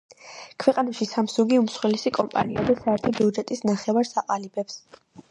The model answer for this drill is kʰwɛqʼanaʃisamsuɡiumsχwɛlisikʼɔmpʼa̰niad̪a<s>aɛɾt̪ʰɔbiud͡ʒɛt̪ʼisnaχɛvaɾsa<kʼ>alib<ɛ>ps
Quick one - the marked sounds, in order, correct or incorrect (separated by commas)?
correct, incorrect, correct